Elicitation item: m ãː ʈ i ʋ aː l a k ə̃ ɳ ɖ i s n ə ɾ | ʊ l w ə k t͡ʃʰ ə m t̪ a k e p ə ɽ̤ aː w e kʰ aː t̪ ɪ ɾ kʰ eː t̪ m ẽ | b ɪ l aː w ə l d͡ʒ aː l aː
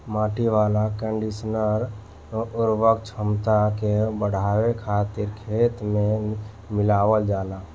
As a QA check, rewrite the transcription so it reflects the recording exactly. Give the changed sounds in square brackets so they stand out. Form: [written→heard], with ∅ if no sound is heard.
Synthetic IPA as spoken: m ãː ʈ i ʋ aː l a k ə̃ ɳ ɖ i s n ə ɾ | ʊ [l→ɾ] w ə k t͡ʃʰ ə m t̪ a k e [p→b] ə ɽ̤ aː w e kʰ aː t̪ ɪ ɾ kʰ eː t̪ m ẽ | [b→m] ɪ l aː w ə l d͡ʒ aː l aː